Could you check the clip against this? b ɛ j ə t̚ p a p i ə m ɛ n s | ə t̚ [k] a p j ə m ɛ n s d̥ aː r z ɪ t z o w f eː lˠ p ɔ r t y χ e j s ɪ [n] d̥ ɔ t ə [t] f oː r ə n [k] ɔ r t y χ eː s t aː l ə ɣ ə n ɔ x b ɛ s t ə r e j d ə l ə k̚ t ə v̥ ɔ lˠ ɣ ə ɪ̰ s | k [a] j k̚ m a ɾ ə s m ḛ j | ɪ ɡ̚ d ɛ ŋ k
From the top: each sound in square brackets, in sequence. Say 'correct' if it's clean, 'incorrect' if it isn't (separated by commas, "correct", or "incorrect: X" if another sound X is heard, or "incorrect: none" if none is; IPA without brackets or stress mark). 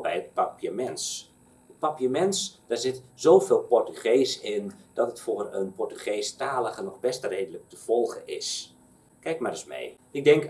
incorrect: p, correct, correct, incorrect: p, incorrect: ɛ